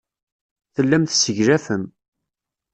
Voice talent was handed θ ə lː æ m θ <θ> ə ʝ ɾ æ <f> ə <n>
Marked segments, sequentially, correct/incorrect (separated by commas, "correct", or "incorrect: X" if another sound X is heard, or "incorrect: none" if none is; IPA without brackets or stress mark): incorrect: s, correct, incorrect: m